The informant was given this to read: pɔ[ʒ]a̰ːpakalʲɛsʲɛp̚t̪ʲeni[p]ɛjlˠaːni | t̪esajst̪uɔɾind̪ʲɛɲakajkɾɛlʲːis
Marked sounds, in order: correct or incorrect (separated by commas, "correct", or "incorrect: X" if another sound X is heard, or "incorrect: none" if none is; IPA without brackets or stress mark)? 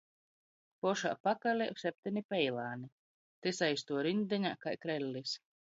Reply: incorrect: ʃ, correct